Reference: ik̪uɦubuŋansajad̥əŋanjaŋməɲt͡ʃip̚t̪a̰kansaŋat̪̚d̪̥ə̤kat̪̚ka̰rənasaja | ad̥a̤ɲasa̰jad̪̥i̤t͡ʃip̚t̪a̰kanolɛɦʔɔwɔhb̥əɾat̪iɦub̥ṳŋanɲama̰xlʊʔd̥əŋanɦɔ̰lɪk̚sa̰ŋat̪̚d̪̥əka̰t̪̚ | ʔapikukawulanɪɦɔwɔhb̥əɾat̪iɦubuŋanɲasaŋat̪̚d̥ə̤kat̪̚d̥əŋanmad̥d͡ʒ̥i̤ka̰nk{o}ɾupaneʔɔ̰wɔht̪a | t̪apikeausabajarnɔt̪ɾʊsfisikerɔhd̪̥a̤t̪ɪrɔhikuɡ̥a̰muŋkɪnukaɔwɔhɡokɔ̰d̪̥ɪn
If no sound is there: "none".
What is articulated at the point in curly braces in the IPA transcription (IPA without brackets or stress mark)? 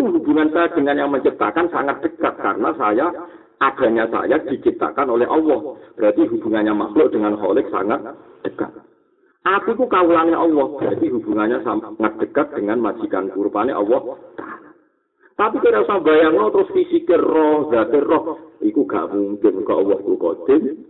u